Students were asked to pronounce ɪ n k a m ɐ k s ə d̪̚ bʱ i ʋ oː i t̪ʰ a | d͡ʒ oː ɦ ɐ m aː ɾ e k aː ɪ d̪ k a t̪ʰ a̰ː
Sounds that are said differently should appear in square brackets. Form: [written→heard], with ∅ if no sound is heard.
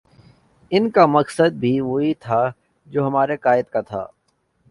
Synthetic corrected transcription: ɪ n k a m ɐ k s ə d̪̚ bʱ i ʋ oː i t̪ʰ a | d͡ʒ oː ɦ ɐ m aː ɾ e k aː ɪ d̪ k a t̪ʰ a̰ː